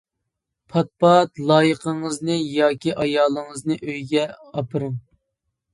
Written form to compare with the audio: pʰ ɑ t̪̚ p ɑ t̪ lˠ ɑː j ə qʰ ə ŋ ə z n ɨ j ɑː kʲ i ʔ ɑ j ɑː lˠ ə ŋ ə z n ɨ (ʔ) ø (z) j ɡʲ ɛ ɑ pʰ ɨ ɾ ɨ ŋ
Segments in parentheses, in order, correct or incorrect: correct, incorrect: none

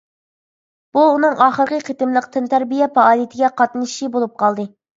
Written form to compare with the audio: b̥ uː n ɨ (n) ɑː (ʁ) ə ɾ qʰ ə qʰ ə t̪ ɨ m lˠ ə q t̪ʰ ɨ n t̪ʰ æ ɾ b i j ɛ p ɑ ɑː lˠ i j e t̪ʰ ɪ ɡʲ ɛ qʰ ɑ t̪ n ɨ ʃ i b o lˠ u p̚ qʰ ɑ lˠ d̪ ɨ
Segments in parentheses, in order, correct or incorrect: incorrect: ŋ, incorrect: χ

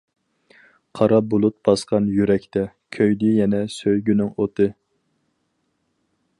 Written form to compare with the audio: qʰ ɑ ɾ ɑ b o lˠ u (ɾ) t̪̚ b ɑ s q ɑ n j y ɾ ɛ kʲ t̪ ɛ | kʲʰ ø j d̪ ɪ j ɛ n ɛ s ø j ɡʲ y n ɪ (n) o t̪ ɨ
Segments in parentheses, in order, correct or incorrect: incorrect: none, incorrect: ŋ

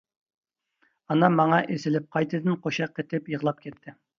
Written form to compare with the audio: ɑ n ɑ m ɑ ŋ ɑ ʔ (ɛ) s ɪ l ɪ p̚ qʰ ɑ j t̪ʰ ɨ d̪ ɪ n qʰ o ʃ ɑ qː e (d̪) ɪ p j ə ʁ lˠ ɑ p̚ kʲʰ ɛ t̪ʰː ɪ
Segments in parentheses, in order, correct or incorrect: incorrect: e, incorrect: t̪

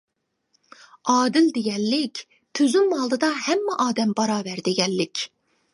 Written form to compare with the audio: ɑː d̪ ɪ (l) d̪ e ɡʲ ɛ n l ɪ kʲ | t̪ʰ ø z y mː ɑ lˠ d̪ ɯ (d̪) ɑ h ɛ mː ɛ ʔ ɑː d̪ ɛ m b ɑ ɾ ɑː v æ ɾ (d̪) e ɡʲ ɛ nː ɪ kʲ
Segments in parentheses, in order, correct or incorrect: correct, correct, correct

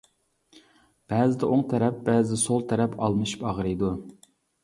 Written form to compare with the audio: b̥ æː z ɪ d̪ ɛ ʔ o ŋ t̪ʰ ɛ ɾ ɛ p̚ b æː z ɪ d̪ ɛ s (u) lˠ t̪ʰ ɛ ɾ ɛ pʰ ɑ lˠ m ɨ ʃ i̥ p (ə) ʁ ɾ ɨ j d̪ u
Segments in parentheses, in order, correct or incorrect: incorrect: o, incorrect: ɑ

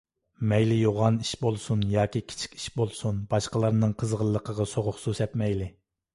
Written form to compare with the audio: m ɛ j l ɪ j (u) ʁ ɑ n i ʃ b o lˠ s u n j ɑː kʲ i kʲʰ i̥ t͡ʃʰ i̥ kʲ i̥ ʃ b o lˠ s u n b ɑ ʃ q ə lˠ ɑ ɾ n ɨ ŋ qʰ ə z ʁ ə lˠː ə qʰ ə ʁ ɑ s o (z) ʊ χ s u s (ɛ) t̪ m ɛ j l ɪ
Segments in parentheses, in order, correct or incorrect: incorrect: o, incorrect: ʁ, correct

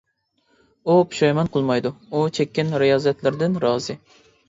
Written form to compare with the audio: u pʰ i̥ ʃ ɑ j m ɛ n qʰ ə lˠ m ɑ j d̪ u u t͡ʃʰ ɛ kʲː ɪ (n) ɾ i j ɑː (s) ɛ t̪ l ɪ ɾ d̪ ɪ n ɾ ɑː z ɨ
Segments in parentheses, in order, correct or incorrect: correct, incorrect: z

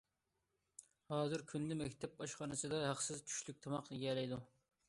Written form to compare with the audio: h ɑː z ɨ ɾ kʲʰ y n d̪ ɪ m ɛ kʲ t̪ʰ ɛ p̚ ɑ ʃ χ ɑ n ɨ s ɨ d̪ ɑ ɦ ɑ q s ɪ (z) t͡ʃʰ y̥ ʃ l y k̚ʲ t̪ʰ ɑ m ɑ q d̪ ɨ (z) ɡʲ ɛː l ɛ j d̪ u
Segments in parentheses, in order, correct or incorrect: correct, incorrect: none

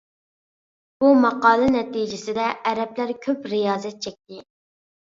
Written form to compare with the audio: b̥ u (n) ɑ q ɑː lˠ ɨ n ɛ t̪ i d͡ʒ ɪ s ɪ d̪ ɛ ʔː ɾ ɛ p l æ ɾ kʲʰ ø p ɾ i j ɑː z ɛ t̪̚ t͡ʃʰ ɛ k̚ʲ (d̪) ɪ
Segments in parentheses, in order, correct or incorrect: incorrect: m, incorrect: t̪

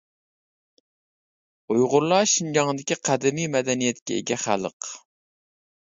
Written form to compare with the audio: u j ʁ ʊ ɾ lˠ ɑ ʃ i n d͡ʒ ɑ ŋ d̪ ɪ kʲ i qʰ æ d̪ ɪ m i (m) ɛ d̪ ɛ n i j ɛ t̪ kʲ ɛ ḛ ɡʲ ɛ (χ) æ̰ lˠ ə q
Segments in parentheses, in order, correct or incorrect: correct, correct

